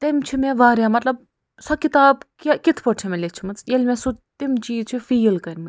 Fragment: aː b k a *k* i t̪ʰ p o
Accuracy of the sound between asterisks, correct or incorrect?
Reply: correct